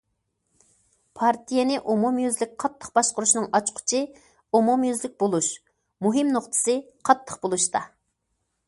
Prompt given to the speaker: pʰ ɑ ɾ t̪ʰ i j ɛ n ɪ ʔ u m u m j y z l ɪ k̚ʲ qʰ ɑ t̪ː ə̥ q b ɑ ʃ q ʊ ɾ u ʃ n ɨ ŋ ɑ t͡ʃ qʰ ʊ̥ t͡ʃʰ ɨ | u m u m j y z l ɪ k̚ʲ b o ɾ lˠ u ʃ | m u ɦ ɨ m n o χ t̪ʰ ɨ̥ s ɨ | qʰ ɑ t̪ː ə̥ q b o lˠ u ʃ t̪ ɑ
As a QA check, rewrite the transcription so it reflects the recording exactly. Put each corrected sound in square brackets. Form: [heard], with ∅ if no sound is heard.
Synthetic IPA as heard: pʰ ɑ ɾ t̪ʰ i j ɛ n ɪ ʔ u m u m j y z l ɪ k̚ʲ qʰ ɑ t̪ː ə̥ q b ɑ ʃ q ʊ ɾ u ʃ n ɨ ŋ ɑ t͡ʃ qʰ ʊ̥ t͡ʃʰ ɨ | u m u m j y z l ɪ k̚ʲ b o [∅] lˠ u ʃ | m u ɦ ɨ m n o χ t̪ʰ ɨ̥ s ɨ | qʰ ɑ t̪ː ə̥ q b o lˠ u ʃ t̪ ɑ